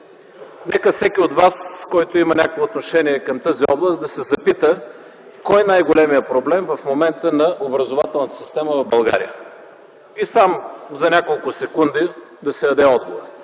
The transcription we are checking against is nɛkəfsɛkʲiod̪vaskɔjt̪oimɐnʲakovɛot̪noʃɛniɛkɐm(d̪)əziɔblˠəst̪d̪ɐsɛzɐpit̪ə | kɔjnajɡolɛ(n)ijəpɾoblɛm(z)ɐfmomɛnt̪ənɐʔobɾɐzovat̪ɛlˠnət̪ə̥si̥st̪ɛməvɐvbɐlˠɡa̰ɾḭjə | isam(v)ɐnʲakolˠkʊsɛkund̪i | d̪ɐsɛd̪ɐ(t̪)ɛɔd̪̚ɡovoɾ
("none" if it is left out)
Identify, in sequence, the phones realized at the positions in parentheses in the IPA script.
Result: t̪, m, v, z, d̪

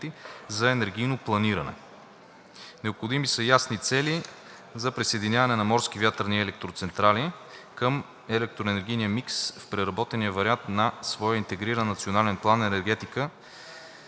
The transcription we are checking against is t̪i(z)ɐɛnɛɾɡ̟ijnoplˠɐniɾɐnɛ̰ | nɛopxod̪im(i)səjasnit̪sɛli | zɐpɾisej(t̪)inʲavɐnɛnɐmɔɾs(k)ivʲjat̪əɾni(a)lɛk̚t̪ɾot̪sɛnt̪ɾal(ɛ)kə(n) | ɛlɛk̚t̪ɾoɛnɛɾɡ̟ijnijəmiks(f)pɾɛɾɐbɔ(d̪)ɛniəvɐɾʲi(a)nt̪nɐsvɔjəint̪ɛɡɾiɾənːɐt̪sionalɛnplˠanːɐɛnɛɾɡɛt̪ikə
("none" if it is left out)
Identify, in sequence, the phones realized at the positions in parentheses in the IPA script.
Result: z, i, d̪, k, ɛ, i, m, f, t̪, a

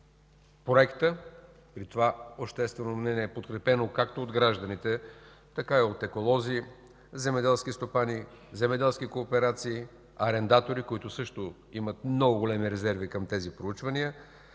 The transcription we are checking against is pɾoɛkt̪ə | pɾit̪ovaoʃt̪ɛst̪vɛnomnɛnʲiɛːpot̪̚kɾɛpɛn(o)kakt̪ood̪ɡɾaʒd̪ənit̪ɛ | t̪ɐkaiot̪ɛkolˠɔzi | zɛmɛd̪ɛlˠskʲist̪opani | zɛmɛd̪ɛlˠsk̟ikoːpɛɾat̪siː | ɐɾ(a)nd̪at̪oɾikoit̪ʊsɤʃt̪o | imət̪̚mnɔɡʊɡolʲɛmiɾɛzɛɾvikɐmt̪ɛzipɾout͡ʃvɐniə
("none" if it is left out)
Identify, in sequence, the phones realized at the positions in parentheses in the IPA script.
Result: o, ɛ

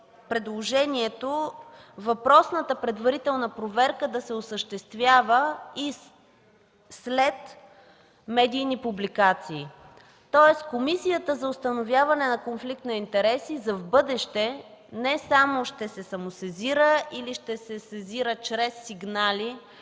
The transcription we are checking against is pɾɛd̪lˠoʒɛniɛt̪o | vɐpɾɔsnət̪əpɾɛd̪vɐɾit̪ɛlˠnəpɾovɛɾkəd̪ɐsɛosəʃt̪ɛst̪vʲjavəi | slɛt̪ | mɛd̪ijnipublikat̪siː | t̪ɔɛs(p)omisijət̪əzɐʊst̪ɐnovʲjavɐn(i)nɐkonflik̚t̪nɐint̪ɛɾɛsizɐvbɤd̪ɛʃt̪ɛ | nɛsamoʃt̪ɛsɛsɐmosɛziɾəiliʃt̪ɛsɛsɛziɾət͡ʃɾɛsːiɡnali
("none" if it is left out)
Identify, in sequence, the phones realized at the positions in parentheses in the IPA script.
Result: k, ɛ

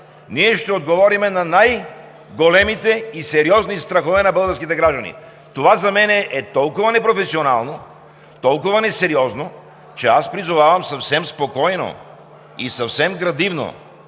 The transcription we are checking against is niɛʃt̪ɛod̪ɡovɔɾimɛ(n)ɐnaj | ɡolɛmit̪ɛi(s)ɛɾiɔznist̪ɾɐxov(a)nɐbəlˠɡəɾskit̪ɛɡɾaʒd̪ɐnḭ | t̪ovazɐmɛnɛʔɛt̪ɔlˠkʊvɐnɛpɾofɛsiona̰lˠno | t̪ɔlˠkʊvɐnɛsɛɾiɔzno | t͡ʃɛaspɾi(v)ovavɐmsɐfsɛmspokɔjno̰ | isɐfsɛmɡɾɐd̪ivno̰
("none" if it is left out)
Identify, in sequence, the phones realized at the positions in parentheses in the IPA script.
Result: n, s, ɛ, z

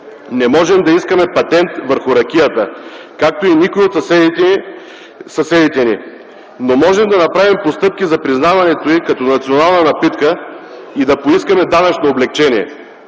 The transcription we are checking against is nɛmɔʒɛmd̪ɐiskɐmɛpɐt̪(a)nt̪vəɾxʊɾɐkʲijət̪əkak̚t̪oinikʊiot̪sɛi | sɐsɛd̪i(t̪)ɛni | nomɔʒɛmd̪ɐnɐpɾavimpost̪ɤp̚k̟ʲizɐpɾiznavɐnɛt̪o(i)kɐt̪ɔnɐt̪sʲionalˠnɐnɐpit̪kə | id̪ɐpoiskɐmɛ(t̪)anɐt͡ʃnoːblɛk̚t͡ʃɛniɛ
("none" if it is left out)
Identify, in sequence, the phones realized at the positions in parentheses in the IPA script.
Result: ɛ, t̪, i, d̪

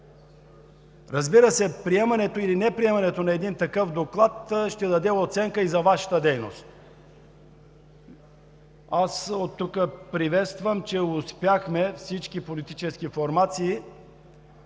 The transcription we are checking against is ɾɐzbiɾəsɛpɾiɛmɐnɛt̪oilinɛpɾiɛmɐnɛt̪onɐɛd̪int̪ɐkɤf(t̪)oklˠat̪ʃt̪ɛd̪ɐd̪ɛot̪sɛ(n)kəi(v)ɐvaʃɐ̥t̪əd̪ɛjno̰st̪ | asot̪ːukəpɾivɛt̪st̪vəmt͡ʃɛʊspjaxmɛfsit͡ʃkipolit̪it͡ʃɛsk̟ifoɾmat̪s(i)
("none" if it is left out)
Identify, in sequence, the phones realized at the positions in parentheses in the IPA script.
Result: d̪, ŋ, z, iː

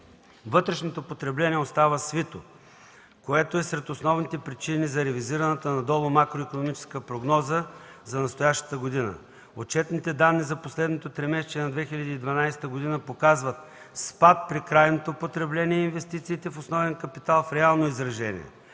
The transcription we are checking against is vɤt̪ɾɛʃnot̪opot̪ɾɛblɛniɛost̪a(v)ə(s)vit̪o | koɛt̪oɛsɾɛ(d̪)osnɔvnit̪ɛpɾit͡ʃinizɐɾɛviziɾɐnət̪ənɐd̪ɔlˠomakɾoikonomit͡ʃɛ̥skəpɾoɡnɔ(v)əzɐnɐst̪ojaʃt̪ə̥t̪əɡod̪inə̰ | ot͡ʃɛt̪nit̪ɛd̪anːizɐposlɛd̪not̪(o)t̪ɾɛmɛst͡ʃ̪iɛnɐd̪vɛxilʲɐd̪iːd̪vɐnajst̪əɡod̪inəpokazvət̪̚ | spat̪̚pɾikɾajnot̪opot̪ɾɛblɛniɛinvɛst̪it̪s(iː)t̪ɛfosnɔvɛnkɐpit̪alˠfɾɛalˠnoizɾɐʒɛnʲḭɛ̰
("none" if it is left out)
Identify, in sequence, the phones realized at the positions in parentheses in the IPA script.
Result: v, s, t̪, z, o, iː

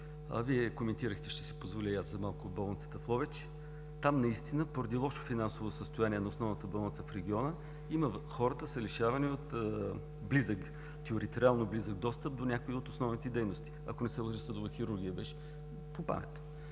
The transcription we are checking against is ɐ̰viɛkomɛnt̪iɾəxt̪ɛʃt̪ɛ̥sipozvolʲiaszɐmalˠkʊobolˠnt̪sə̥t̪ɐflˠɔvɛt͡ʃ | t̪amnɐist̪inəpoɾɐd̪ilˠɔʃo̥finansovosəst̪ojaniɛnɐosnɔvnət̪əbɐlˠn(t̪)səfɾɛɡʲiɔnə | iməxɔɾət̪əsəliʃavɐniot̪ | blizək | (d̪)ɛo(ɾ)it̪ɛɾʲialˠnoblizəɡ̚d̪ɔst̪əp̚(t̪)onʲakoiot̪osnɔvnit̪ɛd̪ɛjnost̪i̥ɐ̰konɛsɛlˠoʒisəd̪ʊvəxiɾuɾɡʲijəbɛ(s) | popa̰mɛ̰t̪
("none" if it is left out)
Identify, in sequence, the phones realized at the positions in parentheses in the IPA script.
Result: t̪, t̪, ɾ, d̪, ʃ

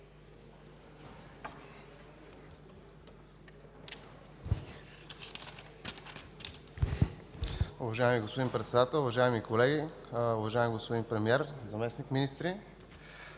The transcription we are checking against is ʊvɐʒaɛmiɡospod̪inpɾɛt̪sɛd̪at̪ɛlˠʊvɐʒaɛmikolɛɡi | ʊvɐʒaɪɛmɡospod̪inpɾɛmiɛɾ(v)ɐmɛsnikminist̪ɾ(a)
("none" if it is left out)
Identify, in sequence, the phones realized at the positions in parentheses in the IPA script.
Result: z, i

